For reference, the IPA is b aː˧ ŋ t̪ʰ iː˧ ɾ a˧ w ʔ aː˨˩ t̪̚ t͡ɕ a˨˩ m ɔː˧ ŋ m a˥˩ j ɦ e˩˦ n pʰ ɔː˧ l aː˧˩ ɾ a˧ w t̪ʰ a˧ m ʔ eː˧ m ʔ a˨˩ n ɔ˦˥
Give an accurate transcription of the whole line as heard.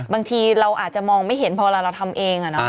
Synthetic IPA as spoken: b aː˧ ŋ t̪ʰ iː˧ ɾ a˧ w ʔ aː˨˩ t̪̚ t͡ɕ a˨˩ m ɔː˧ ŋ m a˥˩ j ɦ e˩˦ n pʰ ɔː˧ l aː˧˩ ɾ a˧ w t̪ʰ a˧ m ʔ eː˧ ŋ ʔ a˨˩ n ɔ˦˥